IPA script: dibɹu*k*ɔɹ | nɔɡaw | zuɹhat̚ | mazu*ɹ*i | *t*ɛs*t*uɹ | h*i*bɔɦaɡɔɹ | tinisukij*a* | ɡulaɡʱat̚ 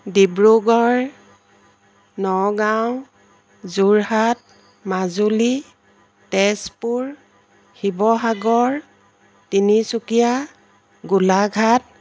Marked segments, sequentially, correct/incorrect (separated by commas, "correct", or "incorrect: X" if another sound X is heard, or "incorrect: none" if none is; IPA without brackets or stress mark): incorrect: ɡ, incorrect: l, correct, incorrect: p, correct, correct